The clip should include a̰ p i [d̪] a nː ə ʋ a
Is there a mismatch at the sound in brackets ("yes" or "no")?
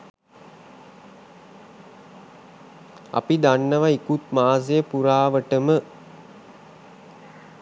no